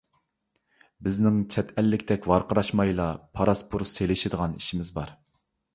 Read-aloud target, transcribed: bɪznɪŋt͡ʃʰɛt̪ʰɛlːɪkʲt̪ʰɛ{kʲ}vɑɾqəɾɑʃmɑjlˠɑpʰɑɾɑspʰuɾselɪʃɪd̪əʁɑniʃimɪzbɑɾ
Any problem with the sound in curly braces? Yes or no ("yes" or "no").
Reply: no